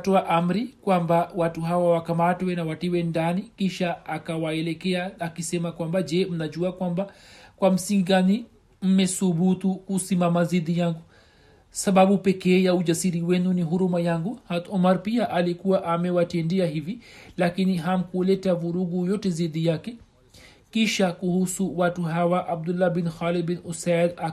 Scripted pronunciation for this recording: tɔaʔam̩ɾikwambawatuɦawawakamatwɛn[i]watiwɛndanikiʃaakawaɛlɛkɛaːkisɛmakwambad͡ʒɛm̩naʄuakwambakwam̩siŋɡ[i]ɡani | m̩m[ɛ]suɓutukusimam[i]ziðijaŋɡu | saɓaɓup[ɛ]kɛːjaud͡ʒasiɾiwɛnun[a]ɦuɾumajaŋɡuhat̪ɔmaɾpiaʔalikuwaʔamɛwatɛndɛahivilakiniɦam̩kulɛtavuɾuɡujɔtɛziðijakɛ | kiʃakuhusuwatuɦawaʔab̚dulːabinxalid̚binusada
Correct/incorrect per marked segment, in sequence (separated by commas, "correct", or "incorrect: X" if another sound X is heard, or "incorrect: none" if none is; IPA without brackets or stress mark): incorrect: a, correct, correct, incorrect: a, correct, incorrect: i